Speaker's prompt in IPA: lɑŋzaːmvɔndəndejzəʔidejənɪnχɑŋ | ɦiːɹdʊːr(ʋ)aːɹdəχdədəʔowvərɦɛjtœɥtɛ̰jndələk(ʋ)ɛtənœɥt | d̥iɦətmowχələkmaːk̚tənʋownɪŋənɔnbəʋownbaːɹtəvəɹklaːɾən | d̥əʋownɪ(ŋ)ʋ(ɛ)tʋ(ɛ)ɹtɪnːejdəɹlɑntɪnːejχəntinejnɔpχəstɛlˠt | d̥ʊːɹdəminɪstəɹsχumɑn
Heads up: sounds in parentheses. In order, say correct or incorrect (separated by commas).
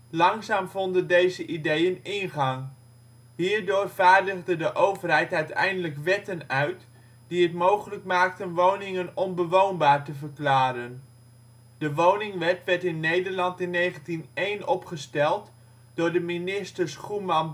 incorrect, correct, correct, correct, correct